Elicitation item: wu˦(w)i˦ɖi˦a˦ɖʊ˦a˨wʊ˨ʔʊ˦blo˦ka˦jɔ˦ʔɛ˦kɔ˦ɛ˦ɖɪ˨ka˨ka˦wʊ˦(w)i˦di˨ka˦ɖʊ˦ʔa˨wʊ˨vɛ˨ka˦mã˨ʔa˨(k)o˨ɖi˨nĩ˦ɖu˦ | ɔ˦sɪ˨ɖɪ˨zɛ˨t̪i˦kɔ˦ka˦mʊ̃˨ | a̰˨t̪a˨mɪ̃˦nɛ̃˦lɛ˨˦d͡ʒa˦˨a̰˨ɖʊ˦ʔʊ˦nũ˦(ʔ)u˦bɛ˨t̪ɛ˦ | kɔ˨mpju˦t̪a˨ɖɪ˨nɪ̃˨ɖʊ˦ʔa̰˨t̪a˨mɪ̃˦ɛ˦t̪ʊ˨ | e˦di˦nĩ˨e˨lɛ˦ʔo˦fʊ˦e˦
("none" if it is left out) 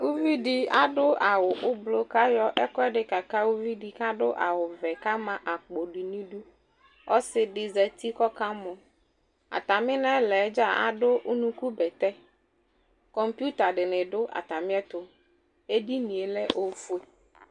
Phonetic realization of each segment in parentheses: v, v, k͡p, k

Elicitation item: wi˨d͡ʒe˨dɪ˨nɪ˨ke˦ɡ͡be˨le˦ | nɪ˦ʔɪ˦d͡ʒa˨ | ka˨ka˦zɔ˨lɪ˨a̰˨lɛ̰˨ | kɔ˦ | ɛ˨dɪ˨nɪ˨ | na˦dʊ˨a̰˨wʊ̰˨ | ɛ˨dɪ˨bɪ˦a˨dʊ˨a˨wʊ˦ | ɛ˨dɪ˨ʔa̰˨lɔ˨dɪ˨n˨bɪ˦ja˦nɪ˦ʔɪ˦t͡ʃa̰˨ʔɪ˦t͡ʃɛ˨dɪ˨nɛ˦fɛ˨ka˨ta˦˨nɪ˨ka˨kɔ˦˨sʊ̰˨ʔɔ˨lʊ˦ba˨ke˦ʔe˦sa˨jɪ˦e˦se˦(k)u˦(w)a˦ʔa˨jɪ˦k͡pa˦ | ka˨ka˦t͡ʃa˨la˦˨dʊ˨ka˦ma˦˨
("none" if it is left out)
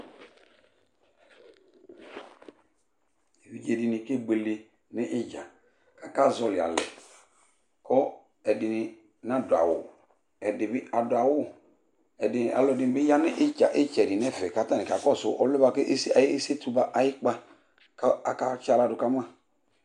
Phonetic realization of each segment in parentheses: t, b

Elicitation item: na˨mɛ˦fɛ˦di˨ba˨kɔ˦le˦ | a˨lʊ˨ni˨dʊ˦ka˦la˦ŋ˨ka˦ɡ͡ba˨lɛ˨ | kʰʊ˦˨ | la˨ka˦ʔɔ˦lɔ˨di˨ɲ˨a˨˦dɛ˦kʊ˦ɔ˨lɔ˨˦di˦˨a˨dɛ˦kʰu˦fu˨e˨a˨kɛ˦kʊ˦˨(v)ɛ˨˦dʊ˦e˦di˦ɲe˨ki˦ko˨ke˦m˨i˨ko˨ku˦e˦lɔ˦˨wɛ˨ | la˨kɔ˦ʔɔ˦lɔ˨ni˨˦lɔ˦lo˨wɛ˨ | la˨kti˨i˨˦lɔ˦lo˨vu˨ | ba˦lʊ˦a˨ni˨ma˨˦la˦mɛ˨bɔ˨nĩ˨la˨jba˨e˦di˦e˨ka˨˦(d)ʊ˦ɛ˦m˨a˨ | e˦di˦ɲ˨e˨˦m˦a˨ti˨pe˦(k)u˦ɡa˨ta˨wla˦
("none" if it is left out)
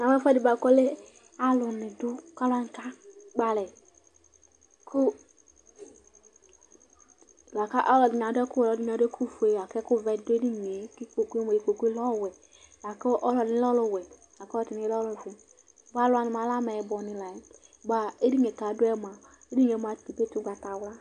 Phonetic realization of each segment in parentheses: v, d, t

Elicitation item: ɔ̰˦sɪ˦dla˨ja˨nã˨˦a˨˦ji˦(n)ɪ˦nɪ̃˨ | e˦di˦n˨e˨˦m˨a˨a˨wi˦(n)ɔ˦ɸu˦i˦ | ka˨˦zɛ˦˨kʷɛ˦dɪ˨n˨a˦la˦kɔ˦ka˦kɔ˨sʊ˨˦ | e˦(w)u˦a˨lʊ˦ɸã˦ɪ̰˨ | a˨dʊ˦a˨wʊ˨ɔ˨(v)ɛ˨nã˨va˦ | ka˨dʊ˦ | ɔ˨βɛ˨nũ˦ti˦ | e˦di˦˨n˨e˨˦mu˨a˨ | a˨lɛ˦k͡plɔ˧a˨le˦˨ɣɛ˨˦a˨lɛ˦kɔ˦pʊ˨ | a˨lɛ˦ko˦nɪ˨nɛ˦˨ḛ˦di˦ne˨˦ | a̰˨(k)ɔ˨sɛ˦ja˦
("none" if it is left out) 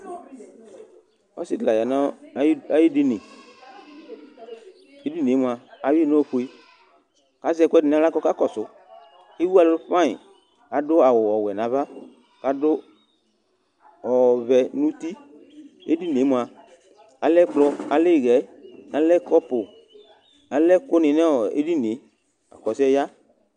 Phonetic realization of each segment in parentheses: d, n, w, w, k

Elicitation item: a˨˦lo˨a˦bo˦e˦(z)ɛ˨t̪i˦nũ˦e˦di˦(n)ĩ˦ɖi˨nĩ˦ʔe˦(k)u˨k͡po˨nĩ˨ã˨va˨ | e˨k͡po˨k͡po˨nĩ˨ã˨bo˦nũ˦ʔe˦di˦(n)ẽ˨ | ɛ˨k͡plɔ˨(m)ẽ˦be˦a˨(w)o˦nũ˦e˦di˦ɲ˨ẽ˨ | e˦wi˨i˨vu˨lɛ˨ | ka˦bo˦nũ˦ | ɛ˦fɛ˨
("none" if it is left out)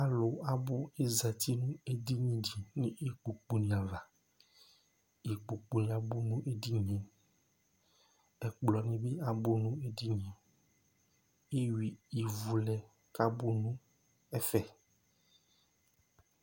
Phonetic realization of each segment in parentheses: z, ɲ, k͡p, ɲ, n, b

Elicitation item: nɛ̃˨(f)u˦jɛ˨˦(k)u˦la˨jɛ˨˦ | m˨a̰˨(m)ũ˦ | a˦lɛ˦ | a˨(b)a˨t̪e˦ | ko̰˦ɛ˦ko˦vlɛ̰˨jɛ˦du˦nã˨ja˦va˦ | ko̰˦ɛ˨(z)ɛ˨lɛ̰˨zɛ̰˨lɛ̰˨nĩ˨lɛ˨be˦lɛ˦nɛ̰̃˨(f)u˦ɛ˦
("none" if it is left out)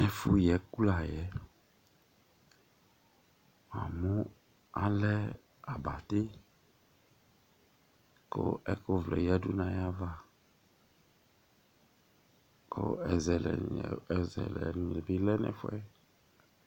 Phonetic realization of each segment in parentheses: f, k, m, b, z, f

